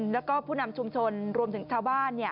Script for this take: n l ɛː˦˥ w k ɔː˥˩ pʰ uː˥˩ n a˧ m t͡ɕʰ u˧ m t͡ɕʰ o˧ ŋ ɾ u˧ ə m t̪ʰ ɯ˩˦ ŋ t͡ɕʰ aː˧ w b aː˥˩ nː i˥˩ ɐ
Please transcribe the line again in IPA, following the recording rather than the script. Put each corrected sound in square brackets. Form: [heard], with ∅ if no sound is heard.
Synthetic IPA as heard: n l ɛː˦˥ w k ɔː˥˩ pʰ uː˥˩ n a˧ m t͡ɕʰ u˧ m t͡ɕʰ o˧ [n] ɾ u˧ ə m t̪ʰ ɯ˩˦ ŋ t͡ɕʰ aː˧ w b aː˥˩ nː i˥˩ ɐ